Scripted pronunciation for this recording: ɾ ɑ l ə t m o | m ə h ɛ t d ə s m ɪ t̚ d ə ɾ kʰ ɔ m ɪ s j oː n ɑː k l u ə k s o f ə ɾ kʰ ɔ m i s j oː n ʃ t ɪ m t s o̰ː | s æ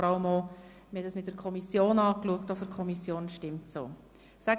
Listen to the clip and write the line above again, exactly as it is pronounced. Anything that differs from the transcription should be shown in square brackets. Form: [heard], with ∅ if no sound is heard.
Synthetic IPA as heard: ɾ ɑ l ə [∅] m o | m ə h ɛ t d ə s m ɪ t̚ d ə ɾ kʰ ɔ m [i] s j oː n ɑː k l u ə k [t] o f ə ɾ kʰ ɔ m i s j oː n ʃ t ɪ m t s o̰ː | s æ

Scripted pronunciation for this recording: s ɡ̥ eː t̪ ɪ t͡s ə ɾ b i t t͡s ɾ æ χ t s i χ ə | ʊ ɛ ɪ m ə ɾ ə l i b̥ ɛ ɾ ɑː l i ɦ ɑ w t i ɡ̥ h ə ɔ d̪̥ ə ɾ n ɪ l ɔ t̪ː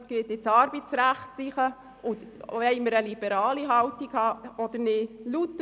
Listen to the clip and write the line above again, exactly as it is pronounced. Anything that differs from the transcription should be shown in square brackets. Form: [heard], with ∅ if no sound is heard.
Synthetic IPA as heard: s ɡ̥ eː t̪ ɪ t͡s [ɑ] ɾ b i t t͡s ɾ æ χ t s i χ ə | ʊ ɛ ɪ m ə ɾ ə l i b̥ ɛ ɾ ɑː l i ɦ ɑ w t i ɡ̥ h [ɑ] ɔ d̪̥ ə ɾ n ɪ l [u] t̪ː

